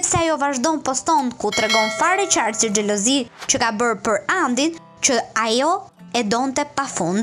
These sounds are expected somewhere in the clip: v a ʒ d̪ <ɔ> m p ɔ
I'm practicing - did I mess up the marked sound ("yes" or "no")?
no